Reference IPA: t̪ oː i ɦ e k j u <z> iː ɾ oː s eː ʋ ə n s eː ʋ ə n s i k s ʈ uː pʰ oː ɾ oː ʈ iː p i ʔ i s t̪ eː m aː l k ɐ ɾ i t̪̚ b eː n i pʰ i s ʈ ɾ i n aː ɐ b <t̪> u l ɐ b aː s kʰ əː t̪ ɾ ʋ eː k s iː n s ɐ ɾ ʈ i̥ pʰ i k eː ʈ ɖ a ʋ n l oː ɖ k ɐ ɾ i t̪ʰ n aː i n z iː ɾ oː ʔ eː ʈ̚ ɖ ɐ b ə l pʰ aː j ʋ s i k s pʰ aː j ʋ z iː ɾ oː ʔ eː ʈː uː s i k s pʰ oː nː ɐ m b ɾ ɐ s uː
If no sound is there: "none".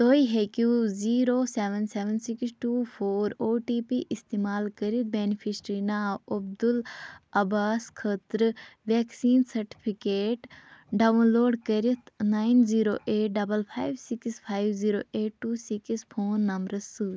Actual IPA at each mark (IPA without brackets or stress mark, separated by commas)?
z, d̪